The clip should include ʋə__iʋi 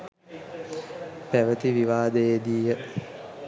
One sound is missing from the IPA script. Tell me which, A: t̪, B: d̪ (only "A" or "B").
A